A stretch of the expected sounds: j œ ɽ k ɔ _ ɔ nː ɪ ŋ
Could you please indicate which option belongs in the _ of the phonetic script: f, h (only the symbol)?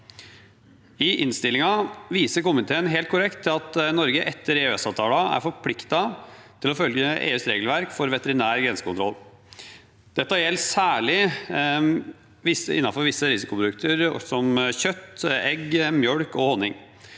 h